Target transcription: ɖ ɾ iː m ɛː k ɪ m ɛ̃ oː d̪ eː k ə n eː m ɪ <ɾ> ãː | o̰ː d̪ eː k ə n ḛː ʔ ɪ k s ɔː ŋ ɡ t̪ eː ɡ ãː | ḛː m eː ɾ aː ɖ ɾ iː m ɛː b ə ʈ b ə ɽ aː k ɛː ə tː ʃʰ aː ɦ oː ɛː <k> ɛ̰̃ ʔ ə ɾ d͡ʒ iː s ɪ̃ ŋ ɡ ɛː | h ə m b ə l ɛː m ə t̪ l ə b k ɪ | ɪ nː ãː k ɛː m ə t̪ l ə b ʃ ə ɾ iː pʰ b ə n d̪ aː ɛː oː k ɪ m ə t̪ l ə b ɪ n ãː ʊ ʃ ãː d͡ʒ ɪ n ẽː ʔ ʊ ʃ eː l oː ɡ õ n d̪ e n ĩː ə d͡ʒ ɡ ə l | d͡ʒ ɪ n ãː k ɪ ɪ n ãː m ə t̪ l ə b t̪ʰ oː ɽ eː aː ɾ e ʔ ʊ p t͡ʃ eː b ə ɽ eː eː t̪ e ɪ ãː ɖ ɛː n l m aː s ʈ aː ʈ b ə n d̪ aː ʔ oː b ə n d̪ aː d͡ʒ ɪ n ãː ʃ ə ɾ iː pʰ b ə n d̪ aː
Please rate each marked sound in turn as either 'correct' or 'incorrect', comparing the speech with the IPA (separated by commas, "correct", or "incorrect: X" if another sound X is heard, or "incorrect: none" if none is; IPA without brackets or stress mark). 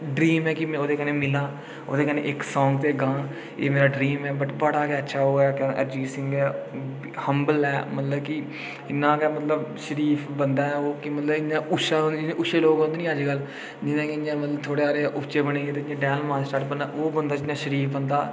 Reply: incorrect: l, correct